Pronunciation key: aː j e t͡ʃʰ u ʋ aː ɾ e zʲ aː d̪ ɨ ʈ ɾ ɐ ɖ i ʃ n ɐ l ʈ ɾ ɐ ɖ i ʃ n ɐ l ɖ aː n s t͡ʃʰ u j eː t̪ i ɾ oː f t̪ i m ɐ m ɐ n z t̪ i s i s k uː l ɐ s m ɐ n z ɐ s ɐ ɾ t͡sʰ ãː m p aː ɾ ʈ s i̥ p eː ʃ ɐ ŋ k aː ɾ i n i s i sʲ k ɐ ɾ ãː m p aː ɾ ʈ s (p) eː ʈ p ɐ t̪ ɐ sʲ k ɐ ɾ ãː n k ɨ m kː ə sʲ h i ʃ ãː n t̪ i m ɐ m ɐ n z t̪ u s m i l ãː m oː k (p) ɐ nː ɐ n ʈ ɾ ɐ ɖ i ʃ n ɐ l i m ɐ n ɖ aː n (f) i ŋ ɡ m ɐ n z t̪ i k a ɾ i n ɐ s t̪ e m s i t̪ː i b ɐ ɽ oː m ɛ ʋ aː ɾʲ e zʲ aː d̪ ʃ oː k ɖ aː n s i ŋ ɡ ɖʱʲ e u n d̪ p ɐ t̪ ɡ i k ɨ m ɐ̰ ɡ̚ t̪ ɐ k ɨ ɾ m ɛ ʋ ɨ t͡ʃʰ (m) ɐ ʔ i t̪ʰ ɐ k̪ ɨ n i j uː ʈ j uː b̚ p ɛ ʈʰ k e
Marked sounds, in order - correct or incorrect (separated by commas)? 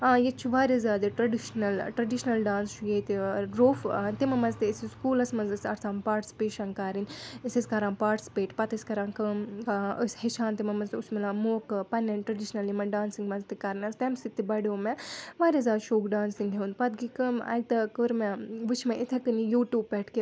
correct, correct, incorrect, correct